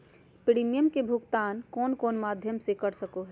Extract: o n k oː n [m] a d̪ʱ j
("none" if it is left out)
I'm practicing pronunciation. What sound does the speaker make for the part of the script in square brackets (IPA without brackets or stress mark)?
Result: m